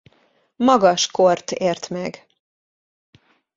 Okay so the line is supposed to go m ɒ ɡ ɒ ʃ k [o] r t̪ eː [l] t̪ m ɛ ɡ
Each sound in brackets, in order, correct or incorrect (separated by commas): correct, incorrect